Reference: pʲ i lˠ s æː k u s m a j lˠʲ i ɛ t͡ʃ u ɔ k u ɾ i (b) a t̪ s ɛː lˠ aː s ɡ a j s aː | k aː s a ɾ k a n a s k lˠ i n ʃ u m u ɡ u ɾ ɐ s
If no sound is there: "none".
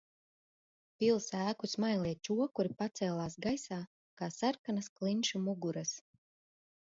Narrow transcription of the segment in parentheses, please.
p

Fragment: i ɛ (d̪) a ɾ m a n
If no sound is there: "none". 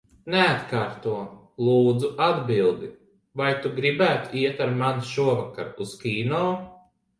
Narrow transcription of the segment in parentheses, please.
t̪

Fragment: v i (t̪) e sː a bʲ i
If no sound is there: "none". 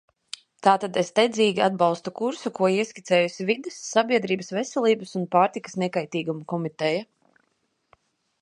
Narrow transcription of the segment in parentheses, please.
d̪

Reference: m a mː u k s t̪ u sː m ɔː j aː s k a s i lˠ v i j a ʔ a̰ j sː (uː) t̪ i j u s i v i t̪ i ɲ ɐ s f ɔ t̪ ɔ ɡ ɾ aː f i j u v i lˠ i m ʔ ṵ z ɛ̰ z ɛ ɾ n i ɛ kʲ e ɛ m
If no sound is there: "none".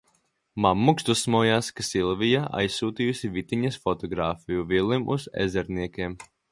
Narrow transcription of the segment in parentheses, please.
uː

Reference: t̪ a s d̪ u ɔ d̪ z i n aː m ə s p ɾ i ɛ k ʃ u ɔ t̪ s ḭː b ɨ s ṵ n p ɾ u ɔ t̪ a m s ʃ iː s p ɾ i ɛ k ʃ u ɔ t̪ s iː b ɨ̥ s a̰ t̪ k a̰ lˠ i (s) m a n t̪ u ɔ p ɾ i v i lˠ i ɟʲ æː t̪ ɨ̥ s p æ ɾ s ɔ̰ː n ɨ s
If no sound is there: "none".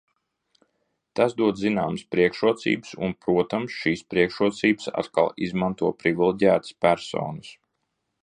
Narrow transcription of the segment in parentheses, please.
z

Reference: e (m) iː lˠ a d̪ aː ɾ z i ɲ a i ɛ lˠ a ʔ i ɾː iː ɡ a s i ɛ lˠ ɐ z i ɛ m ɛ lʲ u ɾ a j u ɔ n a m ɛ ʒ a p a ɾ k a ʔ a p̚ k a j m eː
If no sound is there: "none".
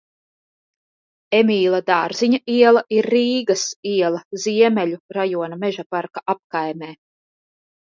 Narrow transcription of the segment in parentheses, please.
m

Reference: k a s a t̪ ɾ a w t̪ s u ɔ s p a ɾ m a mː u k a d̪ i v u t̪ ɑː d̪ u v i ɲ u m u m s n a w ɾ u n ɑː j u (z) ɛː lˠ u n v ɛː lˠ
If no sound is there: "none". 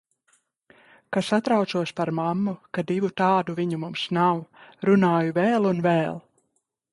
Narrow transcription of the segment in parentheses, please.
v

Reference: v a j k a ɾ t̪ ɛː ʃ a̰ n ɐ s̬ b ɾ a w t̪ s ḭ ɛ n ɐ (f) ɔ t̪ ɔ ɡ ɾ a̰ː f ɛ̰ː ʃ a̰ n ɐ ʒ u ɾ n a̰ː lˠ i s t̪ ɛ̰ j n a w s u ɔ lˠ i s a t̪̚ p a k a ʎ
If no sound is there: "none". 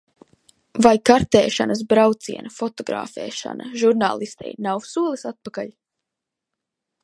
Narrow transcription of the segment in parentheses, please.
f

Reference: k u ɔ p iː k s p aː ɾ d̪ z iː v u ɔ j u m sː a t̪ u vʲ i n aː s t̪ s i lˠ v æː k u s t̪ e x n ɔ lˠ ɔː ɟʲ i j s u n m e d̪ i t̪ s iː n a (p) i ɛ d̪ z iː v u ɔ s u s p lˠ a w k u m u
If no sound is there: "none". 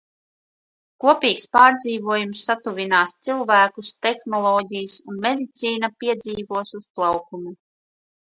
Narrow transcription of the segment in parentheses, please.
p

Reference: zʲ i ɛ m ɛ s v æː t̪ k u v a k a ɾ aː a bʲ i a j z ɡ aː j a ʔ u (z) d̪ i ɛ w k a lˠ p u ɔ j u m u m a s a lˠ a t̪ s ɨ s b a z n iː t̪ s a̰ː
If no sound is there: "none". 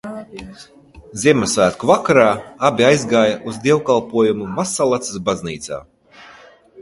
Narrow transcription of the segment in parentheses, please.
z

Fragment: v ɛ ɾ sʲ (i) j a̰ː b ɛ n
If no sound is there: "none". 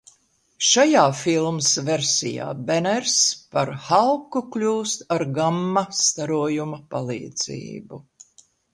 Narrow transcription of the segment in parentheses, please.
i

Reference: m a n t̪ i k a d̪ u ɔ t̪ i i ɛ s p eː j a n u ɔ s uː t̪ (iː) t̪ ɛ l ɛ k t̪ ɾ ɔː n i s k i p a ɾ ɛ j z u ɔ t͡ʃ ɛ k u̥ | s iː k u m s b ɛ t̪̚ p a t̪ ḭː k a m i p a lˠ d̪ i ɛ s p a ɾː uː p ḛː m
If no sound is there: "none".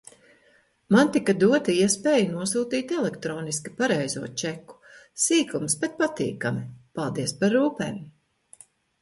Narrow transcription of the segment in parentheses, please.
iː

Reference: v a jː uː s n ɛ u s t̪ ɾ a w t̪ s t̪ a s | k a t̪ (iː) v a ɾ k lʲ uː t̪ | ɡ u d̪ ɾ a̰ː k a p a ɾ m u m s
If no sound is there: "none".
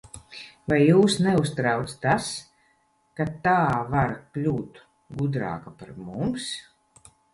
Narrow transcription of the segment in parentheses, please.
aː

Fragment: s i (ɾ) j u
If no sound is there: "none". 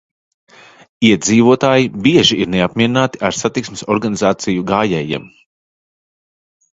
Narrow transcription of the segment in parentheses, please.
none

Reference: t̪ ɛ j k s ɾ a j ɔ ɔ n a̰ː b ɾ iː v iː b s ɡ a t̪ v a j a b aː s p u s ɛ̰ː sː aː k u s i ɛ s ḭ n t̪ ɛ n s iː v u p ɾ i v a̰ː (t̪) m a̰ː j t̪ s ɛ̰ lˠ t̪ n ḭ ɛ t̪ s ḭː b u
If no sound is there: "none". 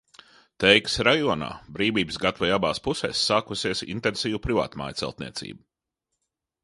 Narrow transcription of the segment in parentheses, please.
t̪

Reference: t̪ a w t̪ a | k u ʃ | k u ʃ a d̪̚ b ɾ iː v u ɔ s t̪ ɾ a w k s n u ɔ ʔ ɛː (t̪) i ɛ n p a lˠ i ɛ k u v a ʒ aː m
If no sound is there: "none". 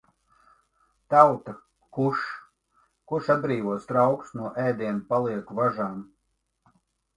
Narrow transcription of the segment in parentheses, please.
d̪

